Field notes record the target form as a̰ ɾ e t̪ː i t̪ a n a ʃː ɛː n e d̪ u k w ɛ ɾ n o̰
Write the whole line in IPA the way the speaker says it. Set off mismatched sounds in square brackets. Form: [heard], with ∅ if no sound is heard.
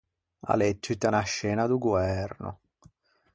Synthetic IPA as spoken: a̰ [l] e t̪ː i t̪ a n a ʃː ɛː n [a] d̪ u [ɡ] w ɛ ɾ n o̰